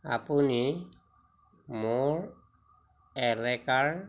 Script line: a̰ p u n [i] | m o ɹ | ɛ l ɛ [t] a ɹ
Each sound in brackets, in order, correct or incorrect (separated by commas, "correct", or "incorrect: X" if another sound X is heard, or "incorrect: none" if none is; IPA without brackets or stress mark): correct, incorrect: k